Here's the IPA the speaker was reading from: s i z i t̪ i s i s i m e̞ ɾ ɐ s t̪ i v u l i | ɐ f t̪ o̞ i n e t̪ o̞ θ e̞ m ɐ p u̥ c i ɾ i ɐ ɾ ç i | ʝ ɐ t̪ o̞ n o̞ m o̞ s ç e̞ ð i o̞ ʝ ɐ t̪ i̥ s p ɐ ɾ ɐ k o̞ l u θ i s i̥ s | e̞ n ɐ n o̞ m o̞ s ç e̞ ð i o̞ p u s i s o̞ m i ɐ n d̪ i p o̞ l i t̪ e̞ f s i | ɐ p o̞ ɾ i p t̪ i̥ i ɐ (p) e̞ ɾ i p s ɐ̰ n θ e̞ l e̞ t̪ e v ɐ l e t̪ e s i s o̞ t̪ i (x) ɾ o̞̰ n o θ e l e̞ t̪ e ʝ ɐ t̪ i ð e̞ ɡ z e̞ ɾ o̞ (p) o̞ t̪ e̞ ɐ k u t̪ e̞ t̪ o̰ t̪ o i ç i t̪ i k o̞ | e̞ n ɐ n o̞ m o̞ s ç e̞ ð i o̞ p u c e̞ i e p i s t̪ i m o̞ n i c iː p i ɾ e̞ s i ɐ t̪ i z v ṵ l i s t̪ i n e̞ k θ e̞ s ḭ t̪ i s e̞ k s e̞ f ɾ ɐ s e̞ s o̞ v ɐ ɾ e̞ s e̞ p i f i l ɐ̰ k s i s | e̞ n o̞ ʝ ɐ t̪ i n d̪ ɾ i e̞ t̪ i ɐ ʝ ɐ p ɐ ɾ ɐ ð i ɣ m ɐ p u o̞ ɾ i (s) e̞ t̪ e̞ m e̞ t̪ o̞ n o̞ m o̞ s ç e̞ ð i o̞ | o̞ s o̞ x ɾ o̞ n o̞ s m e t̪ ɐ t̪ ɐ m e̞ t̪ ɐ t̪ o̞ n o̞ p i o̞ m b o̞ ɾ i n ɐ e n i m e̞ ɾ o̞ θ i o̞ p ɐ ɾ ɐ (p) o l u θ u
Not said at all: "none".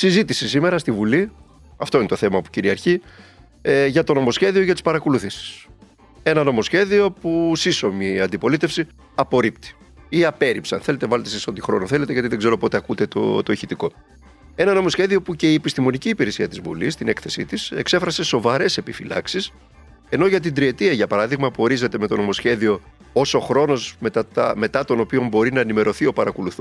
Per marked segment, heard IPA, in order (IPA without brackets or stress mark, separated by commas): p, x, p, z, k